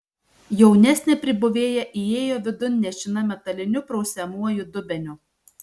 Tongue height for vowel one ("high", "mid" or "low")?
mid